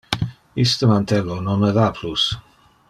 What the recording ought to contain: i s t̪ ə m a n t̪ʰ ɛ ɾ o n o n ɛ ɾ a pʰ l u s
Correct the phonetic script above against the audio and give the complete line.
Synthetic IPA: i s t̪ ə m a n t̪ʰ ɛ l o n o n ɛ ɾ a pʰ l u s